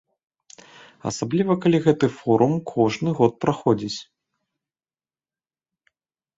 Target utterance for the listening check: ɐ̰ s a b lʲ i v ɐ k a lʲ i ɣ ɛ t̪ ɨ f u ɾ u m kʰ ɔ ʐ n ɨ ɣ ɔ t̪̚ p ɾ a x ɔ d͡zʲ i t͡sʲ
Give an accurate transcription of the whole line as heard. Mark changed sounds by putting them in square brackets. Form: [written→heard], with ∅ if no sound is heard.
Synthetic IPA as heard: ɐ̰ s a b lʲ i v ɐ k a lʲ i ɣ ɛ t̪ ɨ f [u→ɔ] ɾ u m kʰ ɔ ʐ n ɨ ɣ ɔ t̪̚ p ɾ a x ɔ d͡zʲ i t͡sʲ